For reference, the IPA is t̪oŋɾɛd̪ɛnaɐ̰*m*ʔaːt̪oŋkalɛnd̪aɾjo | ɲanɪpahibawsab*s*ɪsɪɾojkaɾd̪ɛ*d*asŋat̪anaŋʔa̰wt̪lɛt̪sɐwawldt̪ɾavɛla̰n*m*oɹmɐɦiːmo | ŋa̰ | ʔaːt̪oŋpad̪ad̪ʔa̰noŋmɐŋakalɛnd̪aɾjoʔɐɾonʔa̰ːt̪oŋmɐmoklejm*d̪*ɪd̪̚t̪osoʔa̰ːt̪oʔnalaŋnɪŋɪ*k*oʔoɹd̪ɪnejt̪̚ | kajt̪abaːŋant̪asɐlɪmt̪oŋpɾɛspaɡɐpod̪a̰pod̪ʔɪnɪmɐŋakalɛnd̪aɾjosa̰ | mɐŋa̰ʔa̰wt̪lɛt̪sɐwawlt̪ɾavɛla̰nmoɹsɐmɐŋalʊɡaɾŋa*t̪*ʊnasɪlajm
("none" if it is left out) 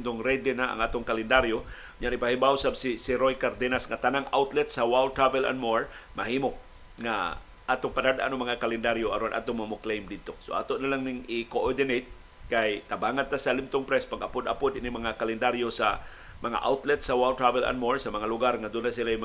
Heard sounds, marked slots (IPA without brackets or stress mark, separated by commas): ŋ, s, n, m, d̪, k, d̪